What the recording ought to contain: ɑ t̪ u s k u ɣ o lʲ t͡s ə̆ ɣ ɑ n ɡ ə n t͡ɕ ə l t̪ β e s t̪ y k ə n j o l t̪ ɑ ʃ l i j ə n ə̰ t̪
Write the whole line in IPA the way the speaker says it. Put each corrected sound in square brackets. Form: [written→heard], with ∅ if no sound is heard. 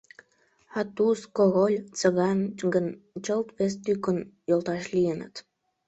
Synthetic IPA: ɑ t̪ u s k [u→o] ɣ o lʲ t͡s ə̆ ɣ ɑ n ɡ ə n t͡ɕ ə l t̪ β e s t̪ y k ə n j o l t̪ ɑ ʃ l i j ə n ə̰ t̪

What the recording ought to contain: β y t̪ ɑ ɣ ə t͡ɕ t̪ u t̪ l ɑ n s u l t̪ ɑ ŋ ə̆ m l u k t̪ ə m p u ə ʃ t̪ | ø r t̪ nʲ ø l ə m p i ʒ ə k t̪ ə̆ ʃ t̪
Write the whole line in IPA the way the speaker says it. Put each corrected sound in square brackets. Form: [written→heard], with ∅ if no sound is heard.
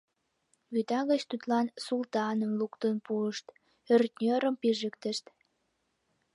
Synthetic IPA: β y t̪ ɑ ɣ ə t͡ɕ t̪ u t̪ l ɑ n s u l t̪ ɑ [ŋ→n] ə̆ m l u k t̪ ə [m→n] p u ə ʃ t̪ | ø r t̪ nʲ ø [l→ɾ] ə m p i ʒ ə k t̪ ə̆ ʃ t̪

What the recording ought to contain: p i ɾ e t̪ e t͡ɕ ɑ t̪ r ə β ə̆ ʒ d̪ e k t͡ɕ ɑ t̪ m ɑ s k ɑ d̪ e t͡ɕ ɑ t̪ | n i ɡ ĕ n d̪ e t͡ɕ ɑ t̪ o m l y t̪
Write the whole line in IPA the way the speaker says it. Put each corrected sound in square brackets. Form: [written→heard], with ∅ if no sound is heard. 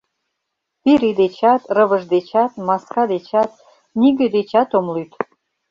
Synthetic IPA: p i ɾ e [t̪→d̪] e t͡ɕ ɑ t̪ r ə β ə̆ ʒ d̪ e [k→∅] t͡ɕ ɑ t̪ m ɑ s k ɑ d̪ e t͡ɕ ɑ t̪ | n i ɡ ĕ [n→∅] d̪ e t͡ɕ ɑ t̪ o m l y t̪

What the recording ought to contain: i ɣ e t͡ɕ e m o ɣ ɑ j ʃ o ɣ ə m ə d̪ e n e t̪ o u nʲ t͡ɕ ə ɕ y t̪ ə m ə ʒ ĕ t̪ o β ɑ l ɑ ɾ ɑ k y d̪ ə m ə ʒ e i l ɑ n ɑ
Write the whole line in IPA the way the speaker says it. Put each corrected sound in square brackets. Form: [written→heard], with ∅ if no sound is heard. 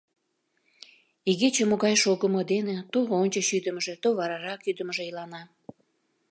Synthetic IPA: i ɣ e t͡ɕ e m o ɣ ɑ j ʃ o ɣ ə m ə d̪ e n e t̪ o [u→o] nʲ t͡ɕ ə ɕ y [t̪→d̪] ə m ə ʒ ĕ t̪ o β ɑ [l→ɾ] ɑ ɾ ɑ k y d̪ ə m ə ʒ e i l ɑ n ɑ

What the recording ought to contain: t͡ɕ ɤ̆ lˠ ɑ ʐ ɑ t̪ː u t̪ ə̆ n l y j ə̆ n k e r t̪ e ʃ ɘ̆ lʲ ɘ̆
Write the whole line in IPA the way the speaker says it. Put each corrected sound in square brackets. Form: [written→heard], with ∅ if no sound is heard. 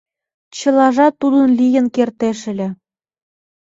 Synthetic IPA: t͡ɕ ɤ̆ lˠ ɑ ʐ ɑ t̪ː u [t̪→d̪] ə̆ n l [y→i] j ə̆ n k e r t̪ e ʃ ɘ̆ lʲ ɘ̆

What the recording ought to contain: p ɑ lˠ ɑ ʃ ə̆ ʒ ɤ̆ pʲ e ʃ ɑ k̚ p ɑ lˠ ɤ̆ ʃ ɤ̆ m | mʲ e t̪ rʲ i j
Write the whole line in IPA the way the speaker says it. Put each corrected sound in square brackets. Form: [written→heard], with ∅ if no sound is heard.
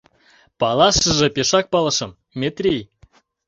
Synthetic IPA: p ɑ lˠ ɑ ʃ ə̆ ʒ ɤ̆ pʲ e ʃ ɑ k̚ p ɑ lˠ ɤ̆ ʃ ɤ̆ m | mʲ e t̪ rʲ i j

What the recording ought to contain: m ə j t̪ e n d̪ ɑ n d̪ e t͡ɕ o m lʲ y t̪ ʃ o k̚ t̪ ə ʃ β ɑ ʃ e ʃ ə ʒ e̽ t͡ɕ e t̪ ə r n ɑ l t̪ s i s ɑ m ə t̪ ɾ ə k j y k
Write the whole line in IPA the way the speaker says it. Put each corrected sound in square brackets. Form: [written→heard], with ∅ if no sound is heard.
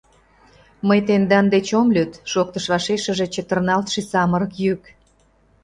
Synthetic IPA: m ə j t̪ e n d̪ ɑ n d̪ e t͡ɕ o m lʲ y t̪ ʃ o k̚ t̪ ə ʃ β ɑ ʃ e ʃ ə ʒ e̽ t͡ɕ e t̪ ə r n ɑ l t̪ [s→ʃ] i s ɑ m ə [t̪→∅] ɾ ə k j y k

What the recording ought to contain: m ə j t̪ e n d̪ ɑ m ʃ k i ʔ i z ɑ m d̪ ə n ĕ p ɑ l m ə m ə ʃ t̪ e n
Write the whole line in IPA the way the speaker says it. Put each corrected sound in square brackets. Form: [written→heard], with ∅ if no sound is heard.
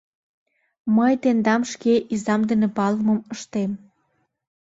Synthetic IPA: m ə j t̪ e n d̪ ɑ m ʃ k [i→e] ʔ i z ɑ m d̪ ə n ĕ p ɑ l m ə m ə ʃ t̪ e [n→m]

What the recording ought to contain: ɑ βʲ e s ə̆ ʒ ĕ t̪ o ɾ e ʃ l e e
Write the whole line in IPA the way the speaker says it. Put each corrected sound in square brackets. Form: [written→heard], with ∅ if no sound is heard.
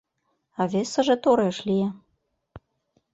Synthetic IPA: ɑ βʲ e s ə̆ ʒ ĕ t̪ o ɾ e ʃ l [e→i] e

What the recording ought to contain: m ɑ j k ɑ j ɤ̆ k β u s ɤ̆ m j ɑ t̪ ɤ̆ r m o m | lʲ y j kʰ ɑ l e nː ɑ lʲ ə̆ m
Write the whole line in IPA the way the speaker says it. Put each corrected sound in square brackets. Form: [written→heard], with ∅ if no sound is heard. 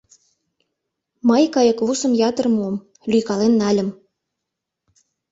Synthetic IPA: m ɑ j k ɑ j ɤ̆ k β u s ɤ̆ m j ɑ t̪ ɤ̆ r m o m | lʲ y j [kʰ→k] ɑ l e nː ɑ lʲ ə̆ m

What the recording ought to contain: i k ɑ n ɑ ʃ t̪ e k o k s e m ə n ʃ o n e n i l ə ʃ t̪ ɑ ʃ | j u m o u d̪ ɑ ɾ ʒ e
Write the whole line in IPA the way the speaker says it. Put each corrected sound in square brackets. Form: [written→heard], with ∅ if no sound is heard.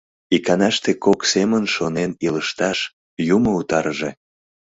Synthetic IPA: i k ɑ n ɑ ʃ t̪ e k o k s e m ə n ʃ o n e n i l ə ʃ t̪ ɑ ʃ | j u m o u [d̪→t̪] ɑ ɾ ʒ e

